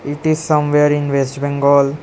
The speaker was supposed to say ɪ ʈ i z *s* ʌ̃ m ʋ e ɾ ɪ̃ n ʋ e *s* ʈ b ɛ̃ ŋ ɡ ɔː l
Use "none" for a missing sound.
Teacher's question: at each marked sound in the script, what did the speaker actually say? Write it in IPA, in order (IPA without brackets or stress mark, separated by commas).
s, s